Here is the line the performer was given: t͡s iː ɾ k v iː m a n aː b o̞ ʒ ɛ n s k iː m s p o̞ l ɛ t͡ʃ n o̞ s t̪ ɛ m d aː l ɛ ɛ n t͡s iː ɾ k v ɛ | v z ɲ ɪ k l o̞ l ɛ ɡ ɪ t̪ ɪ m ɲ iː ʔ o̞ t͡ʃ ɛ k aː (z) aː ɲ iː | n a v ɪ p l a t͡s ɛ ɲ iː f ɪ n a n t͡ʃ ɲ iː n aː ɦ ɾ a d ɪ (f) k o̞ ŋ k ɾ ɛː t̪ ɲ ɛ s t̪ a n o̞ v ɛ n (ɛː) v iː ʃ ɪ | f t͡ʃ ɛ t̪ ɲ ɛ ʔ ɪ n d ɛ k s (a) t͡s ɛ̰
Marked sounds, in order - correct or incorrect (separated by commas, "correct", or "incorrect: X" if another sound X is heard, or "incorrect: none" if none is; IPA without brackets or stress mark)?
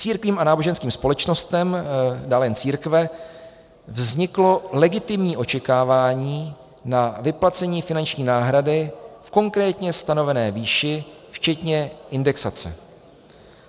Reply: incorrect: v, correct, correct, correct